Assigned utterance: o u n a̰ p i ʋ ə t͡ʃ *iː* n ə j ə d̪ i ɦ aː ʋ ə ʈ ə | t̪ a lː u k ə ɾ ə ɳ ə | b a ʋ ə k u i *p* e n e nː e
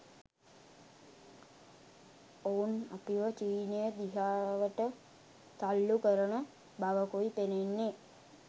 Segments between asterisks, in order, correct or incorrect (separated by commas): correct, correct